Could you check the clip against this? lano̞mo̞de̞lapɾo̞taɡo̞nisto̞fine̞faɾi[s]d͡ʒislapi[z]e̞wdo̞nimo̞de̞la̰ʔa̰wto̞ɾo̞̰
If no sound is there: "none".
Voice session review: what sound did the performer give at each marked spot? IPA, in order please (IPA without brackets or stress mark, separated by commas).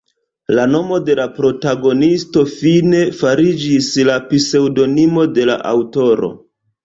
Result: none, s